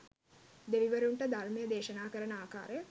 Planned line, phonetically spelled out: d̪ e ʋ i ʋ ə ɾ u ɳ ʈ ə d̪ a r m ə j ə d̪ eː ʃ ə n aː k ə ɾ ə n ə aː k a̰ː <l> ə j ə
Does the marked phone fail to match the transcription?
yes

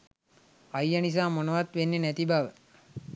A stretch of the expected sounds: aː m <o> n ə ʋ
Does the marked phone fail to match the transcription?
no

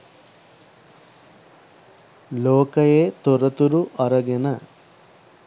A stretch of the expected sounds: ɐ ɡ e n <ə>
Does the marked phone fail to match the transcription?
yes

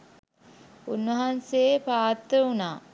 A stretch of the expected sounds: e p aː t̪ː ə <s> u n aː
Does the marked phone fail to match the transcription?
yes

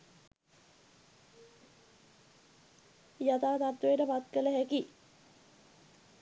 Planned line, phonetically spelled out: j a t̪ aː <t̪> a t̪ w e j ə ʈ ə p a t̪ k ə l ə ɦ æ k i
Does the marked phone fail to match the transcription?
no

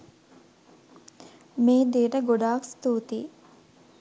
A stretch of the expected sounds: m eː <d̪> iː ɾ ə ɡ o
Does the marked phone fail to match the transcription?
no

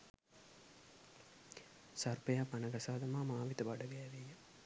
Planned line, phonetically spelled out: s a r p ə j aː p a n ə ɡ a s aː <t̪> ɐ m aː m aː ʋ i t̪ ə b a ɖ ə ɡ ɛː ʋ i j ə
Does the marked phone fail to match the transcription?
yes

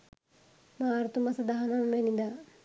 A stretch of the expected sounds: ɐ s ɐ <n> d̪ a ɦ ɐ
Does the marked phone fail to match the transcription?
yes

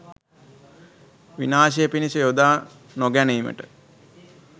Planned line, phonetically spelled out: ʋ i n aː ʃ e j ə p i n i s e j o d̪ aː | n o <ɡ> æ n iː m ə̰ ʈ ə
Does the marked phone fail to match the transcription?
no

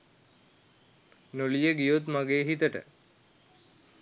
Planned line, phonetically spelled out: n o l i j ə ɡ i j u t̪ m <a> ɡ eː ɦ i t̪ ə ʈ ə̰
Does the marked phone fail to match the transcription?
no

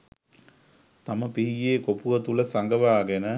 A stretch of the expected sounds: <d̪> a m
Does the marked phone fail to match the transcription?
yes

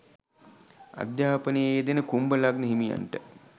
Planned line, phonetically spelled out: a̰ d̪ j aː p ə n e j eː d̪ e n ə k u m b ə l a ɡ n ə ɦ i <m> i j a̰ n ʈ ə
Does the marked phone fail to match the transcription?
no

